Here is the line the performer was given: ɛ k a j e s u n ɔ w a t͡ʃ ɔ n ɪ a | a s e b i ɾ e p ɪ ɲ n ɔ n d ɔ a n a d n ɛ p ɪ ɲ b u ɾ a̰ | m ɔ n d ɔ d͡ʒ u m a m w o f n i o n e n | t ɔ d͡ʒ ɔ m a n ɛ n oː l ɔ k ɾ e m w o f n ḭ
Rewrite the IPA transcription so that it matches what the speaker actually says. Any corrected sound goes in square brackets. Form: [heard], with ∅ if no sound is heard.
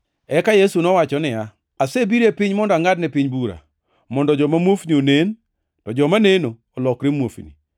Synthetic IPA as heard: ɛ k a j e s u n ɔ w a t͡ʃ ɔ n ɪ a | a s e b i ɾ e p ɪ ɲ [m] ɔ n d ɔ a [ŋ] a d n ɛ p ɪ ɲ b u ɾ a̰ | m ɔ n d ɔ d͡ʒ [ɔ] m a m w o f n i o n e n | t ɔ d͡ʒ ɔ m a n [e] n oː l ɔ k ɾ e m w o f n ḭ